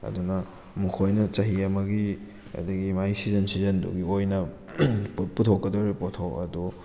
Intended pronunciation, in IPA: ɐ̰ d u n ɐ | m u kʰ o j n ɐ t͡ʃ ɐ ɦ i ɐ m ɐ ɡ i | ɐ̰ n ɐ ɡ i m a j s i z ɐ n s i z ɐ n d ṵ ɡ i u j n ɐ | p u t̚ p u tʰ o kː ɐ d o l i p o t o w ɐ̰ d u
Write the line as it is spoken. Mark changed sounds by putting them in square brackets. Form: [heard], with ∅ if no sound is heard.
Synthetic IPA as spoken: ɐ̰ d u n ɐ | m u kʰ o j n ɐ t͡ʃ ɐ ɦ i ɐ m ɐ ɡ i | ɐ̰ [d] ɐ ɡ i m a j s i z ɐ n s i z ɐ n d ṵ ɡ i [o] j n ɐ | p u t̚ p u tʰ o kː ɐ d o [ɾ] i p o [tʰ] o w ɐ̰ d u

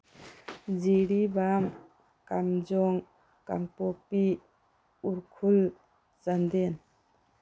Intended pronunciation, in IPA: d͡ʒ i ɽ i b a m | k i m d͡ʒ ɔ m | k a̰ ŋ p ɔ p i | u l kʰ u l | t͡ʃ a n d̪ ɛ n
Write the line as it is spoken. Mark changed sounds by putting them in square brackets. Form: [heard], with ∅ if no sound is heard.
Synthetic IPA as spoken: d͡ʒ i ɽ i b a m | k [a] m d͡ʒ ɔ [ŋ] | k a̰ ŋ p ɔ p i | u [ɾ] kʰ u l | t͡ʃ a n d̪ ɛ n

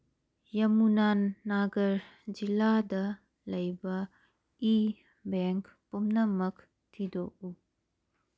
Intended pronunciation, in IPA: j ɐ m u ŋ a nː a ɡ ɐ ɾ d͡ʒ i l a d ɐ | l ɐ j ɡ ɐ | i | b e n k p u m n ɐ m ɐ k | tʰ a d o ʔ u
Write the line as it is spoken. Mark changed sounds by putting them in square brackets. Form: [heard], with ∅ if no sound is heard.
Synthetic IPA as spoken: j ɐ m u [n] a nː a ɡ ɐ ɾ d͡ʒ i l a d ɐ | l ɐ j [b] ɐ | i | b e [ŋ] k p u m n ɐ m ɐ k | tʰ [i] d o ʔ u

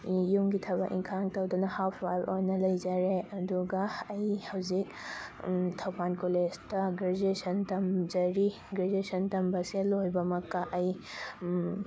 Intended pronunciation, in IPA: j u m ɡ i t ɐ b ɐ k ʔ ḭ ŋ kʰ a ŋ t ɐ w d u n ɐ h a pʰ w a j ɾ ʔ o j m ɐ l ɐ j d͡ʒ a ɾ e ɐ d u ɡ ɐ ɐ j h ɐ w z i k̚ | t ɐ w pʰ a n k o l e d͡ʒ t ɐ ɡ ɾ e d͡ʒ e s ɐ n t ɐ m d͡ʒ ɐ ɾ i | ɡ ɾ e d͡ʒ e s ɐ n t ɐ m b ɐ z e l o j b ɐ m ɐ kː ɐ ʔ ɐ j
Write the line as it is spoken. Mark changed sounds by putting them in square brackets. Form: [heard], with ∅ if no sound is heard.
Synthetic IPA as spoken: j u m ɡ i [tʰ] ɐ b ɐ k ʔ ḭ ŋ kʰ a ŋ t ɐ w d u n ɐ h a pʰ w a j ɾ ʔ o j [n] ɐ l ɐ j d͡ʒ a ɾ e ɐ d u ɡ ɐ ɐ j h ɐ w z i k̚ | [tʰ] ɐ w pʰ a n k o l e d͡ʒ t ɐ ɡ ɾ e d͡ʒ e s ɐ n t ɐ m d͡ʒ ɐ ɾ i | ɡ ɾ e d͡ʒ e s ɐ n t ɐ m b ɐ [s] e l o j b ɐ m ɐ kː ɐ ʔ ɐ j

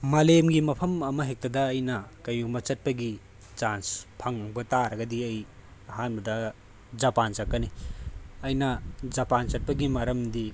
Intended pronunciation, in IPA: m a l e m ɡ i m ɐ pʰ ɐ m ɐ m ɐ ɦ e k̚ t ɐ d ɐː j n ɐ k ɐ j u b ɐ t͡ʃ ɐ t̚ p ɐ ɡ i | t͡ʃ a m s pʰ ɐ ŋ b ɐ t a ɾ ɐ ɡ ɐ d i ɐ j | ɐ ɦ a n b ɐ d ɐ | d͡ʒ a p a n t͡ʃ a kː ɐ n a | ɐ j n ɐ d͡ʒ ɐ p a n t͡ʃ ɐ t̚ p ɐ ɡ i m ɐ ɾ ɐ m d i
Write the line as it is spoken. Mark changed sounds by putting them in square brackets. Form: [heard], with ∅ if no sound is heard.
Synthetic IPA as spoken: m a l e m ɡ i m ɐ pʰ ɐ m ɐ m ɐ ɦ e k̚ t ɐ d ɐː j n ɐ k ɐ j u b ɐ t͡ʃ ɐ t̚ p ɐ ɡ i | t͡ʃ a [n] s pʰ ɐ ŋ b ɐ t a ɾ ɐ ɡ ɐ d i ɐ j | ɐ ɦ a n b ɐ d ɐ | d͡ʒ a p a n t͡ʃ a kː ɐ n [i] | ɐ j n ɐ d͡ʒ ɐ p a n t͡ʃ ɐ t̚ p ɐ ɡ i m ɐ ɾ ɐ m d i

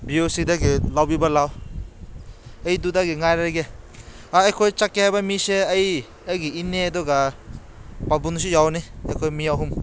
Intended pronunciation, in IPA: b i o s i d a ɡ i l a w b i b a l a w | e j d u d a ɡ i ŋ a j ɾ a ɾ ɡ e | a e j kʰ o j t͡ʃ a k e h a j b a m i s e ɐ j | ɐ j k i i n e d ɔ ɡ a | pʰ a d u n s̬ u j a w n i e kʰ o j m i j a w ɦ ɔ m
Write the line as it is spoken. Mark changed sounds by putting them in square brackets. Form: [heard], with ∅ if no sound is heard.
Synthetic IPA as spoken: b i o s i d a ɡ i l a w b i b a l a w | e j d u d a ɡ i ŋ a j ɾ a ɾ ɡ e | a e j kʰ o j t͡ʃ a k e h a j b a m i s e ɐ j | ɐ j [ɡ] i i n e d ɔ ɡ a | [p] a [b] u n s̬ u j a w n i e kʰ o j m i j a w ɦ [u] m

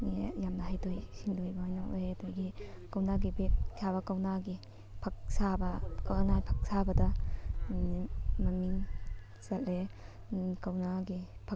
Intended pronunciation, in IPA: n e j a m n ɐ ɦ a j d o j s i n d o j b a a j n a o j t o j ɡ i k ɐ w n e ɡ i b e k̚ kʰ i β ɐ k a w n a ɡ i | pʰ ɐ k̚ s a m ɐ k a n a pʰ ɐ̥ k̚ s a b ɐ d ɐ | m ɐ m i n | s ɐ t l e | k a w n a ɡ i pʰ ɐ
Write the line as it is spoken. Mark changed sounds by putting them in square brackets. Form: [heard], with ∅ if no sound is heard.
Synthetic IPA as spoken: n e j a m n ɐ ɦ a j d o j s i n d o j b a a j n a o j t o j ɡ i k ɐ w n [a] ɡ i b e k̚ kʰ [a] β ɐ k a w n a ɡ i | pʰ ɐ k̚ s a [b] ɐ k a n a pʰ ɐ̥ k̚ s a b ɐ d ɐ | m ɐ m i [ŋ] | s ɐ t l e | k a w n a ɡ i pʰ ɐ

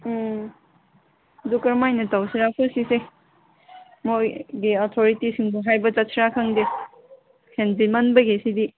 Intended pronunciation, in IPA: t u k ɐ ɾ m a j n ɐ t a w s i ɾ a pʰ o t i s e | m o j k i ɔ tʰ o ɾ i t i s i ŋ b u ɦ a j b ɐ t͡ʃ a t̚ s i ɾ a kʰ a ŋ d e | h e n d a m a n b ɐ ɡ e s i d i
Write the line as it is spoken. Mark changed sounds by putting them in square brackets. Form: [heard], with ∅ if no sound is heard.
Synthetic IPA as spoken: [d] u k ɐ ɾ m a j n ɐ t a w s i ɾ a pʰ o [s] i s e | m o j [ɡ] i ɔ tʰ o ɾ i t i s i ŋ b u ɦ a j b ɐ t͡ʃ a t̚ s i ɾ a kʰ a ŋ d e | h e n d [i] m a n b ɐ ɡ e s i d i

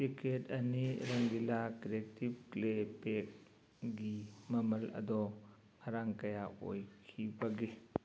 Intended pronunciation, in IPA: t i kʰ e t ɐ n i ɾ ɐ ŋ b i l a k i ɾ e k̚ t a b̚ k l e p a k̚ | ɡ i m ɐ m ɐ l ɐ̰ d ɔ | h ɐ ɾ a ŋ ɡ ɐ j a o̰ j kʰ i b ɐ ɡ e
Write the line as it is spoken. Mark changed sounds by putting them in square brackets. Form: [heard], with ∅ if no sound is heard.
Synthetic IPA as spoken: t i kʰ e t ɐ n i ɾ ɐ ŋ [ɡ] i l a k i ɾ e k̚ t [i] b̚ k l e p [e] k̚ | ɡ i m ɐ m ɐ l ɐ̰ d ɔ | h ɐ ɾ a ŋ [k] ɐ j a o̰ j kʰ i b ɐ ɡ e

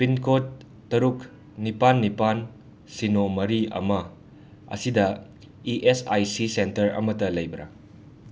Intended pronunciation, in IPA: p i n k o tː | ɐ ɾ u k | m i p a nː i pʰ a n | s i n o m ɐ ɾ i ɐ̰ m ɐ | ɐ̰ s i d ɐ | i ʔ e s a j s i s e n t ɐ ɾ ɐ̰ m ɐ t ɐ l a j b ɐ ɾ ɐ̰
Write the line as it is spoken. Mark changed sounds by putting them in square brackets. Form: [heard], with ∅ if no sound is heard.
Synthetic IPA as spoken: p i n k o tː | ɐ ɾ u k | [n] i p a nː i [p] a n | s i n o m ɐ ɾ i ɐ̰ m ɐ | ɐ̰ s i d ɐ | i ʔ e s a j s i s e n t ɐ ɾ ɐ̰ m ɐ t ɐ l [ɐ] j b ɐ ɾ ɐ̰

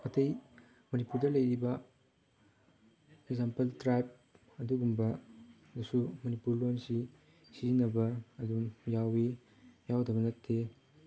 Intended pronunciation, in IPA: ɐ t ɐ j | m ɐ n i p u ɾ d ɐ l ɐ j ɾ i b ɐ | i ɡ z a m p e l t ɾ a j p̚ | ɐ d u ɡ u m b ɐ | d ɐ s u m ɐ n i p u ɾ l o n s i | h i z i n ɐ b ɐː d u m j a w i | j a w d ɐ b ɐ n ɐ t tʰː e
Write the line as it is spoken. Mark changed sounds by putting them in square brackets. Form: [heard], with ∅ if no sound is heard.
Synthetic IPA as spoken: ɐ t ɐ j | m ɐ n i p u ɾ d ɐ l ɐ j ɾ i b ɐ | [e] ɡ z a m p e l t ɾ a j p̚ | ɐ d u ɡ u m b ɐ | d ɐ s u m ɐ n i p u ɾ l o n s i | [s] i z i n ɐ b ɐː d u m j a w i | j a w d ɐ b ɐ n ɐ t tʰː e

